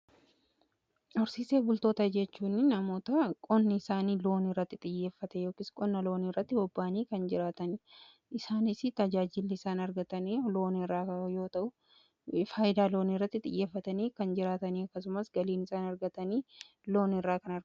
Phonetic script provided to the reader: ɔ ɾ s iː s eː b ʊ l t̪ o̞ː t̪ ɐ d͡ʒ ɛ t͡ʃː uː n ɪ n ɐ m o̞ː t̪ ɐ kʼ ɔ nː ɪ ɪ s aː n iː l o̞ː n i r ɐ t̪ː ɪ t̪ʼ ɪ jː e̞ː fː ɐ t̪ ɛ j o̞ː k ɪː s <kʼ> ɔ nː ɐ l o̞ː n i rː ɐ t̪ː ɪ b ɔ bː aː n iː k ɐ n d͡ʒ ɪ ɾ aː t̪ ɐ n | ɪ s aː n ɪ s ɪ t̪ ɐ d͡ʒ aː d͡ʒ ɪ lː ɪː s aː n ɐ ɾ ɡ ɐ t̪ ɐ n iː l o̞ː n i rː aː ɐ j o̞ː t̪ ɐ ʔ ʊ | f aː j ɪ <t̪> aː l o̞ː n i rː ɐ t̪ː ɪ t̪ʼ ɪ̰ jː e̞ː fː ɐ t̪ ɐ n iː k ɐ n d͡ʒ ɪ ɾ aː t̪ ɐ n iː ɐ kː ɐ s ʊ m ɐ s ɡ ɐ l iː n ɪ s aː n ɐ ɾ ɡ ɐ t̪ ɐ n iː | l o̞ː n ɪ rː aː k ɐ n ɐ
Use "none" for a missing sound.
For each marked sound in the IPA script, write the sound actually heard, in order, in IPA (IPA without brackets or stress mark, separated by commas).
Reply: kʼ, d̪